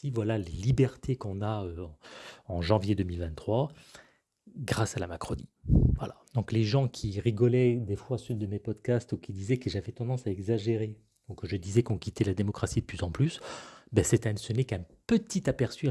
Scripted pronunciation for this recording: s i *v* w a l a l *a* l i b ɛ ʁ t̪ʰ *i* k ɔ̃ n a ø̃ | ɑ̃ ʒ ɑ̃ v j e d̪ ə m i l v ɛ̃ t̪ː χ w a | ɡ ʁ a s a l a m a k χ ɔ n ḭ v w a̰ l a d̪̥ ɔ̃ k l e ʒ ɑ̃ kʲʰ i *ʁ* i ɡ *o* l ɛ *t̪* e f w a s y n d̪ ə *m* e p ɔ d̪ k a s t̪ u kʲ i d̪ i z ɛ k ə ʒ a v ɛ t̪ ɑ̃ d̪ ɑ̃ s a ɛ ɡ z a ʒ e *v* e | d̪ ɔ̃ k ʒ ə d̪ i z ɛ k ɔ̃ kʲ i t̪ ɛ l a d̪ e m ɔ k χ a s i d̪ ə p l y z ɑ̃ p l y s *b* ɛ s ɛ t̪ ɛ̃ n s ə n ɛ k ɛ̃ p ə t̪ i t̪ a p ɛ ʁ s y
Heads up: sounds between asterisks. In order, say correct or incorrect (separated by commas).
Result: correct, incorrect, incorrect, correct, incorrect, incorrect, correct, incorrect, correct